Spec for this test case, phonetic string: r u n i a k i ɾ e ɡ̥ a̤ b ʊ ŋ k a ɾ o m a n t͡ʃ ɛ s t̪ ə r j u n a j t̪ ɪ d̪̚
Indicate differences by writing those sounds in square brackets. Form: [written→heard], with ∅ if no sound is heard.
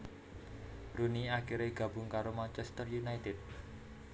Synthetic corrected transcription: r u n i a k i ɾ e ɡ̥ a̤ b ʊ ŋ k a ɾ o m a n t͡ʃ ɛ s t̪ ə r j u n a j t̪ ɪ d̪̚